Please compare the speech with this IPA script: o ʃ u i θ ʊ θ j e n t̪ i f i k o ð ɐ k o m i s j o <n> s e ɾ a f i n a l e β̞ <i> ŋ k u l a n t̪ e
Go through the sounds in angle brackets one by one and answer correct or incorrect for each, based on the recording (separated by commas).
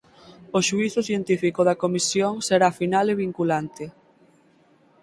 incorrect, correct